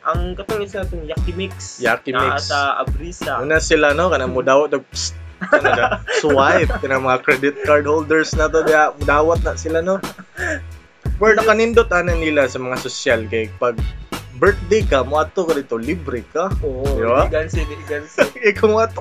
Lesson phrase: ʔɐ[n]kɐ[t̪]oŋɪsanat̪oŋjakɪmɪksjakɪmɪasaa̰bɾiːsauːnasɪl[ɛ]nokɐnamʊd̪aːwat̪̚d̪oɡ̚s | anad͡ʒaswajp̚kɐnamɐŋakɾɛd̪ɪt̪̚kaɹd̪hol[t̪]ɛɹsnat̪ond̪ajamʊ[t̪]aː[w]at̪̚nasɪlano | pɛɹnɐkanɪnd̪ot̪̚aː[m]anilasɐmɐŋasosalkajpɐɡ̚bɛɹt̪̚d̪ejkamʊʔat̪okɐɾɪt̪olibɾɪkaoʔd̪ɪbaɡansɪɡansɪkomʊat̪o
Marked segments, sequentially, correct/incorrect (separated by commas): incorrect, correct, incorrect, incorrect, incorrect, correct, incorrect